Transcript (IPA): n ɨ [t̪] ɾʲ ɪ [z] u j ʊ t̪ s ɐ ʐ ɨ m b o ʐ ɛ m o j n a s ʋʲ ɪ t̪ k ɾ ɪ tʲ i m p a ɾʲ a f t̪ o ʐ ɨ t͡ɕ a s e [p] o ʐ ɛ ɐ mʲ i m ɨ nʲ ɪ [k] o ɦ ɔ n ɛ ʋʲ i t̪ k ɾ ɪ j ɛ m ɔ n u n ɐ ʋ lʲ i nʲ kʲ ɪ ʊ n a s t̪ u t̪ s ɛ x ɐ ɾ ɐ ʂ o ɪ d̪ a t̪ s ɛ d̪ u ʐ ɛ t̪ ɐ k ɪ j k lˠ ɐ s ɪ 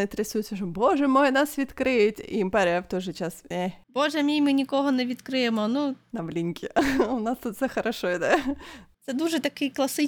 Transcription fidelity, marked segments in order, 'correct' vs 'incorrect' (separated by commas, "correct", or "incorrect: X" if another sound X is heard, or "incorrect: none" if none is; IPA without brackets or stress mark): correct, incorrect: s, incorrect: b, correct